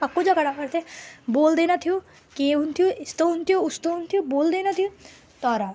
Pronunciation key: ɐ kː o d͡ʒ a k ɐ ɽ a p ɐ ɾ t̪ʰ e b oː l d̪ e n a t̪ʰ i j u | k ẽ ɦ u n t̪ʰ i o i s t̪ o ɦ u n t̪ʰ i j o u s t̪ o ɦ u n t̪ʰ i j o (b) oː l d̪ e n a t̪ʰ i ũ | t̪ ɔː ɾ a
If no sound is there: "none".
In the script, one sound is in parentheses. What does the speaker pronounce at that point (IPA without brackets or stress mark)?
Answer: b